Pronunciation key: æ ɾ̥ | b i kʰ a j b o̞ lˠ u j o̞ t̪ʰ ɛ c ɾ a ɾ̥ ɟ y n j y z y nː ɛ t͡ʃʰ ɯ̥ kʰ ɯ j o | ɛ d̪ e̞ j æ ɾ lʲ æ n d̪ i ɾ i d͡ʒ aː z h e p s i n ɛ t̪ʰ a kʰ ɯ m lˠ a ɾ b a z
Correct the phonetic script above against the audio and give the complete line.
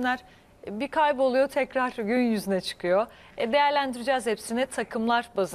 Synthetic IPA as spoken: æ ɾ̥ | b i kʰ a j b o̞ lˠ u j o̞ t̪ʰ ɛ c ɾ a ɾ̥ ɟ y n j y z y n ɛ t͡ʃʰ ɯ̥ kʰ ɯ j o | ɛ d̪ e̞ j æ ɾ lʲ æ n d̪ i ɾ i d͡ʒ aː z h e p s i n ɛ t̪ʰ a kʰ ɯ m lˠ a ɾ b a z